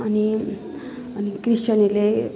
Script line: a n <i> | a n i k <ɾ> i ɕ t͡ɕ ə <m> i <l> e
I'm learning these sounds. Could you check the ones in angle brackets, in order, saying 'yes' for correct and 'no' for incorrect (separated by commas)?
yes, yes, no, yes